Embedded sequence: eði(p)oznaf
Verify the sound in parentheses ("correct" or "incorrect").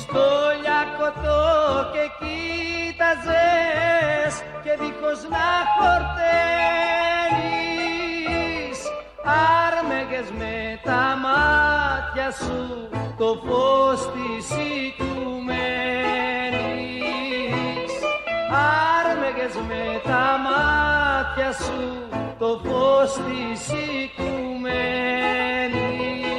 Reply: incorrect